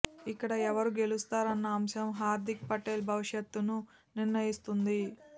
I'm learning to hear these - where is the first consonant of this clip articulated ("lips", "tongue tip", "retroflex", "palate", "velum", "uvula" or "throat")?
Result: velum